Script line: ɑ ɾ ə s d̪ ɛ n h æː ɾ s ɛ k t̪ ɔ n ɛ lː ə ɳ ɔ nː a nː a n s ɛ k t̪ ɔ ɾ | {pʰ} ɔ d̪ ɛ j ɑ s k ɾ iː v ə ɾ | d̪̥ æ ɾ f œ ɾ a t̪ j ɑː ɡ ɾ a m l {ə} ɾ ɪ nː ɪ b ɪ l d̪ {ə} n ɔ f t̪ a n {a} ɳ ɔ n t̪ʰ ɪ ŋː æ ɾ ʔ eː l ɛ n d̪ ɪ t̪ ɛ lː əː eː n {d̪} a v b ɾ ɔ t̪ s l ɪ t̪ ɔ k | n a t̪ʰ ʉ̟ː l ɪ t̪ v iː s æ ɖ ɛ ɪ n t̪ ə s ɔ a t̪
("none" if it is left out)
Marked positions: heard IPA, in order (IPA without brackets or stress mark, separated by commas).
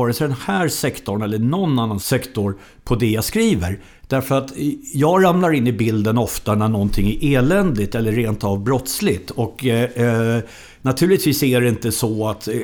pʰ, a, ə, æ, t̪